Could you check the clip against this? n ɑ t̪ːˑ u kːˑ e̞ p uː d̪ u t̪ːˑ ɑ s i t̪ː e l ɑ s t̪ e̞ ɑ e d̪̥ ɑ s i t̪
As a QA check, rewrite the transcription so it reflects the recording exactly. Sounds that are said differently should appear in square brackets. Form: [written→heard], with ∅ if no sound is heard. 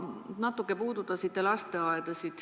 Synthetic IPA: n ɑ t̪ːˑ u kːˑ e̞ p uː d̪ u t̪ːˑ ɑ s i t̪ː e l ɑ s t̪ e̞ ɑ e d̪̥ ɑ s i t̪

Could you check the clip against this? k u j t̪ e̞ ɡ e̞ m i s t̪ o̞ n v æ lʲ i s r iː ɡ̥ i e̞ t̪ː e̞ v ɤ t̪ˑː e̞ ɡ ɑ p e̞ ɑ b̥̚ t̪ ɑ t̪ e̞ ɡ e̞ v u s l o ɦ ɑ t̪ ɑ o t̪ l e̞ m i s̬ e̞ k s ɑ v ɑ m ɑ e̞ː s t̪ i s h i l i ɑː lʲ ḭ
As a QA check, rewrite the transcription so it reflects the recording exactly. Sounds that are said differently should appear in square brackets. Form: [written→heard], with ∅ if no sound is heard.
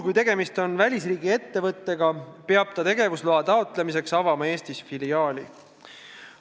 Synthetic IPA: k u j t̪ e̞ ɡ e̞ m i s t̪ o̞ n v æ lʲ i s r iː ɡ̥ i e̞ t̪ː e̞ v ɤ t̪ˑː e̞ ɡ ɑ p e̞ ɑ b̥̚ t̪ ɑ t̪ e̞ ɡ e̞ v u s l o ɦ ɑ t̪ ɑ o t̪ l e̞ m i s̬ e̞ k s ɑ v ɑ m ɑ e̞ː s t̪ i s [h→f] i l i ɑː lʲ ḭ

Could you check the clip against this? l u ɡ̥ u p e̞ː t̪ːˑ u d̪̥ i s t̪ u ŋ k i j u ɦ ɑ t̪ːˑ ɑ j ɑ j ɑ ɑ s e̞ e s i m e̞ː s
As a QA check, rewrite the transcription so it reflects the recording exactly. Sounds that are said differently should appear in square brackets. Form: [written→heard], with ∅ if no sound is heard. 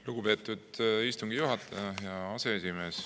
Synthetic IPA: l u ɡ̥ u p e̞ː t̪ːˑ u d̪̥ i s t̪ u ŋ [k→ɡ] i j u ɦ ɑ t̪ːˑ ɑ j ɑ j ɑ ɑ s e̞ e s i m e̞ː s

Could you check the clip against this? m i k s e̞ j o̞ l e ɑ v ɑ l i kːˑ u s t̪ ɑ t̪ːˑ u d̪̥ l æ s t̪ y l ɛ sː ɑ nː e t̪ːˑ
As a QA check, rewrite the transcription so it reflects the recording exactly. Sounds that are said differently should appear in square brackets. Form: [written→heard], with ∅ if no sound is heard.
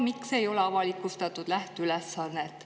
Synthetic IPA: m i k s e̞ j o̞ l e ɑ v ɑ l i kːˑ u s t̪ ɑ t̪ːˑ u d̪̥ l æ [s→h] t̪ y l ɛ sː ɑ nː e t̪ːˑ

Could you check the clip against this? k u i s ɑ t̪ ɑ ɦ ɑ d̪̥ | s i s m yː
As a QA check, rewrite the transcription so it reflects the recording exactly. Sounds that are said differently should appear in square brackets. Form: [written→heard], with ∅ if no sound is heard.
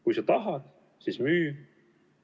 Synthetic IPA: k u [i→j] s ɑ t̪ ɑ ɦ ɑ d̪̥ | s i s m yː

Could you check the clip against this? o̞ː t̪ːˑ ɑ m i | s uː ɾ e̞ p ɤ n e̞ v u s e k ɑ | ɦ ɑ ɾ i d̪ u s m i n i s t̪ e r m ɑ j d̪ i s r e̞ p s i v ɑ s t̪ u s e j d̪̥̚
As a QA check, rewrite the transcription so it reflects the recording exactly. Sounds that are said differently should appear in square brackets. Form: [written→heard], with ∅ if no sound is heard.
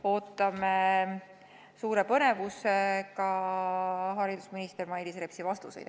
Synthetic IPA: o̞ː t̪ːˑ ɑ m [i→e] | s uː ɾ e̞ p ɤ n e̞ v u s e k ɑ | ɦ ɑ ɾ i d̪ u s m i n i s t̪ e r m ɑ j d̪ i s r e̞ p s i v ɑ s t̪ u s e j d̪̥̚

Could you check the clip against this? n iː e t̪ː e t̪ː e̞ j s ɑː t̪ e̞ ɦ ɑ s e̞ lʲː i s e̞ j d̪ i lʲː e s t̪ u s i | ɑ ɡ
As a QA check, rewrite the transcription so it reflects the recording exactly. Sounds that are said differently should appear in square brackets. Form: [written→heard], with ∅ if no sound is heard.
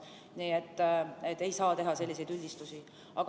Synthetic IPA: n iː e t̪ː e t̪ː e̞ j s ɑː t̪ e̞ ɦ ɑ s e̞ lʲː i s e̞ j d̪ [i→y] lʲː [e→i] s t̪ u s i | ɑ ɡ

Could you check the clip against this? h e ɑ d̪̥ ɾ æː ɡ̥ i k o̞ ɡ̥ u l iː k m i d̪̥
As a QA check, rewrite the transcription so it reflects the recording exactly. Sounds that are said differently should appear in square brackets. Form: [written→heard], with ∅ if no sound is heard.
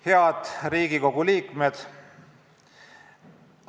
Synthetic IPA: h e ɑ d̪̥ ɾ [æː→iː] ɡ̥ i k o̞ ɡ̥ u l iː k m [i→e] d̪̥

